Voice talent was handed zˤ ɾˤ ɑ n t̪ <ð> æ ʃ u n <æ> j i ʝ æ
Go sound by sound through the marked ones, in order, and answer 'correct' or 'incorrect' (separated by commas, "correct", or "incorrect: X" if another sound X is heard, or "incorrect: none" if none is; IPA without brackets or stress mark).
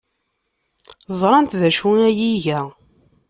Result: correct, correct